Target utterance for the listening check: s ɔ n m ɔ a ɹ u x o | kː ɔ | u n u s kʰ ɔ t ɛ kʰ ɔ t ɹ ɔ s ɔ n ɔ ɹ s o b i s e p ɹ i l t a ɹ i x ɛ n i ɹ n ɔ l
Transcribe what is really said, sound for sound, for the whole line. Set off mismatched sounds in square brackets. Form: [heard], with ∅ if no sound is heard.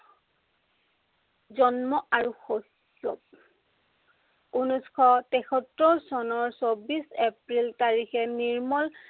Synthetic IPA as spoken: [z] ɔ n m ɔ a ɹ u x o | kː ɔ | u n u s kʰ ɔ t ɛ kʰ ɔ t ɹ ɔ s ɔ n ɔ ɹ s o b i s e p ɹ i l t a ɹ i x ɛ n i ɹ [m] ɔ l